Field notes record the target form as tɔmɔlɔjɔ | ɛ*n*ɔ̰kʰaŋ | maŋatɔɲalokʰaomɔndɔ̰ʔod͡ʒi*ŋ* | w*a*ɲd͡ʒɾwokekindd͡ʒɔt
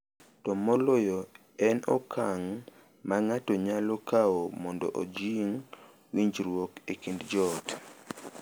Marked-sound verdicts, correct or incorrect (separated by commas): correct, correct, incorrect